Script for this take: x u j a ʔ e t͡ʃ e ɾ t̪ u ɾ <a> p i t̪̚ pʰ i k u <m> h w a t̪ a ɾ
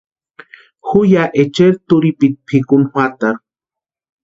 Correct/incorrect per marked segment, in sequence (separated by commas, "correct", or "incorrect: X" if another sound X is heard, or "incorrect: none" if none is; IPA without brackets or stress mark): incorrect: i, incorrect: n